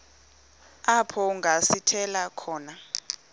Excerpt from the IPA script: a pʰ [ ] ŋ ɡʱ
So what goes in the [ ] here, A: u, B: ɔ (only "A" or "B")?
B